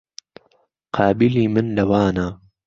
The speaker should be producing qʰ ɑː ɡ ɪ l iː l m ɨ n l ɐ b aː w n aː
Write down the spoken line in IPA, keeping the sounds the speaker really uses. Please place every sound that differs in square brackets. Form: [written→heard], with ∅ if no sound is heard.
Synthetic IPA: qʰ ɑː [ɡ→b] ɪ l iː [l→∅] m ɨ n l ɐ [b→w] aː [w→∅] n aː